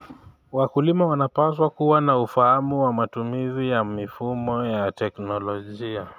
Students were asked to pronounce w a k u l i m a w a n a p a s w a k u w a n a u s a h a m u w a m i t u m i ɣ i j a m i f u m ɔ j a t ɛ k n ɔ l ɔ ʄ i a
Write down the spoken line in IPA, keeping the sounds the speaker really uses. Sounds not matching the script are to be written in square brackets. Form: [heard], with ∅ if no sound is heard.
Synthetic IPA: w a k u l i m a w a n a p a s w a k u w a n a u [f] a h a m u w a m [a] t u m i [z] i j a m i f u m ɔ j a t ɛ k n ɔ l ɔ ʄ i a